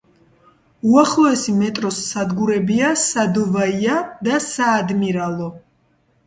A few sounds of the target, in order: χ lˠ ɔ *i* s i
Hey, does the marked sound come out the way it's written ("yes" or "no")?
no